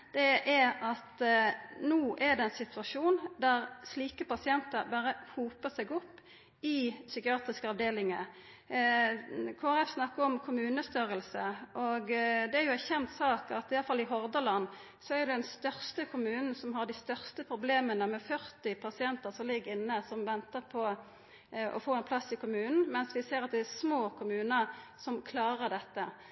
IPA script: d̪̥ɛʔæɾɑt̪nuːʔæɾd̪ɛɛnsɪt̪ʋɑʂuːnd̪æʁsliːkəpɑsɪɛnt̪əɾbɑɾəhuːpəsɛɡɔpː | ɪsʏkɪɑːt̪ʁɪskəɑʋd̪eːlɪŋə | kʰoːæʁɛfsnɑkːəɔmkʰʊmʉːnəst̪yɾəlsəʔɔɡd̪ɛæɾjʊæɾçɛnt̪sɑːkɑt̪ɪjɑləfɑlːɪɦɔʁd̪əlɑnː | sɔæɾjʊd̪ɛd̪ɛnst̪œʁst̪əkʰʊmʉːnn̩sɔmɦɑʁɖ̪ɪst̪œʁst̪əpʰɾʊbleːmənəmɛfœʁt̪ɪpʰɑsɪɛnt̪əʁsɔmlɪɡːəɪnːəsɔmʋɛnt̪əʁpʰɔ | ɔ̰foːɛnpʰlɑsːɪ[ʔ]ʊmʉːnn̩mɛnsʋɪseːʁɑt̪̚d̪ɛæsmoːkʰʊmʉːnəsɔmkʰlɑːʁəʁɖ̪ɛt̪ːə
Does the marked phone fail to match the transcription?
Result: yes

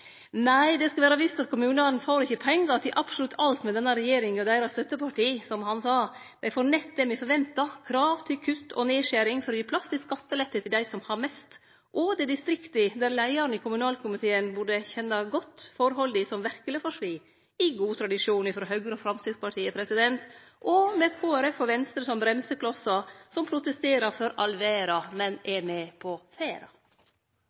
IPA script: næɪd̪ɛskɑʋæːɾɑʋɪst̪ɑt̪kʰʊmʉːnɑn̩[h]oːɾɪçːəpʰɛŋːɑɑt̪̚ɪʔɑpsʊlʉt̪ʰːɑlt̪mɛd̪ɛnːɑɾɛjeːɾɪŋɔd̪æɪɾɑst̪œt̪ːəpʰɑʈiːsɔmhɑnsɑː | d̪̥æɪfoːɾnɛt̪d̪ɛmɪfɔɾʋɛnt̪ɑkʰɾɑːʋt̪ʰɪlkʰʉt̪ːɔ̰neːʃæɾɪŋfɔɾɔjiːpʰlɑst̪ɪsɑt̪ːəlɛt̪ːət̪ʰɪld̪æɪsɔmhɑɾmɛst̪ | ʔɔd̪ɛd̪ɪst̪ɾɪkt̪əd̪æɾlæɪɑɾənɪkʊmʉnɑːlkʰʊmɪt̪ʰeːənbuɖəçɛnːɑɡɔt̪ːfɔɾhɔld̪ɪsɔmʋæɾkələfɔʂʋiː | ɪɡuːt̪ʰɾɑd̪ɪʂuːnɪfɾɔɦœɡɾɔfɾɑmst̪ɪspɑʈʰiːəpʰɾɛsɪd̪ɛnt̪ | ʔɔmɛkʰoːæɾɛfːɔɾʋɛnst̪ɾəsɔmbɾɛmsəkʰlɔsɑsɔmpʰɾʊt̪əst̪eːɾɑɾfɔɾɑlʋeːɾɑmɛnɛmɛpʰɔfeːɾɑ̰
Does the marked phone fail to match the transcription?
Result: yes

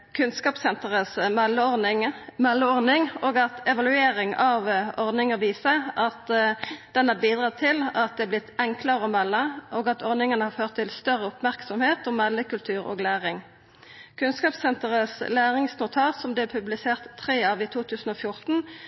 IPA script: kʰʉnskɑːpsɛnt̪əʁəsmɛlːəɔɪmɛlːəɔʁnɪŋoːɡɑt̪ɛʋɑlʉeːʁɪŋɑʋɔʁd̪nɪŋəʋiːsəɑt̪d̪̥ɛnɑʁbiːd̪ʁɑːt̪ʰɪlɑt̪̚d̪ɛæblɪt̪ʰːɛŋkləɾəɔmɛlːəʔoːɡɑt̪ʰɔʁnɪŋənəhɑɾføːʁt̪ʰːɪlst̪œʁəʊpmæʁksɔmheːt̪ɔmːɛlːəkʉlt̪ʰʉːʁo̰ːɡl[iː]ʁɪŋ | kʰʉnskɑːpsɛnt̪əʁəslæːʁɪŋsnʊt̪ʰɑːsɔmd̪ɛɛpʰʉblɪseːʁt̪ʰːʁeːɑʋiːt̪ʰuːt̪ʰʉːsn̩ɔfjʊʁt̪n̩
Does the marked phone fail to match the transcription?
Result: yes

